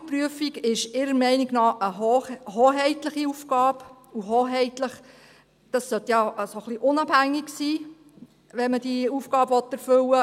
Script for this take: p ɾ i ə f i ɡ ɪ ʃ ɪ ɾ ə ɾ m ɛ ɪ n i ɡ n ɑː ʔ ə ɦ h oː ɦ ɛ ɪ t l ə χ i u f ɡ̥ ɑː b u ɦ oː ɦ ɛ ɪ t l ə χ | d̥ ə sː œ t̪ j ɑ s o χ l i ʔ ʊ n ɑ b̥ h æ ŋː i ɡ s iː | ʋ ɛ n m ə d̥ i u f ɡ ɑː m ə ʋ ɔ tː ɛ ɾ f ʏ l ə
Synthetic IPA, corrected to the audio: p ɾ y ə f i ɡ ɪ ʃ ɪ ɾ ə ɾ m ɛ ɪ n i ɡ n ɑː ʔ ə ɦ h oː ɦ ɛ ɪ t l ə χ i u f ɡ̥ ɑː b u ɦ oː ɦ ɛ ɪ t l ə χ | d̥ ɑ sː œ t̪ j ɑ s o χ l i ʔ ʊ n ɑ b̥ h æ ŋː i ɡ s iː | ʋ ɛ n m ə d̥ i u f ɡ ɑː b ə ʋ ɔ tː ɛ ɾ f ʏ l ə